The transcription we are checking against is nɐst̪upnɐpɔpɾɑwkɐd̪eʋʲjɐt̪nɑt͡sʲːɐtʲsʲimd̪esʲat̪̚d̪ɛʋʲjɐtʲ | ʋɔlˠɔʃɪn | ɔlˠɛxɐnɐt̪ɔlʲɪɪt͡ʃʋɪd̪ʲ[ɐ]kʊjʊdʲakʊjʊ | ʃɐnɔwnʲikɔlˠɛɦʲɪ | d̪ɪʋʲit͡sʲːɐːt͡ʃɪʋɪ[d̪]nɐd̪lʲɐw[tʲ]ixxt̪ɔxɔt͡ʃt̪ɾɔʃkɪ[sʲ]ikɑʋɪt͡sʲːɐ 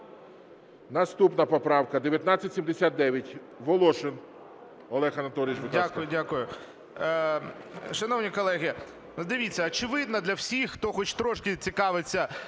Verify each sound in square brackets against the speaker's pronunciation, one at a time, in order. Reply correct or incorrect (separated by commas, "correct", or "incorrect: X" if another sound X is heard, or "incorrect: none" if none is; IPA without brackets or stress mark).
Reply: incorrect: a, correct, incorrect: sʲ, incorrect: t͡sʲ